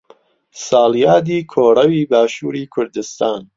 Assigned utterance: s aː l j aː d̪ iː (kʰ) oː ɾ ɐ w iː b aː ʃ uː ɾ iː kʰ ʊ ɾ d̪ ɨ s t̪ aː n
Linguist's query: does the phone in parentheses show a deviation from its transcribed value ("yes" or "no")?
no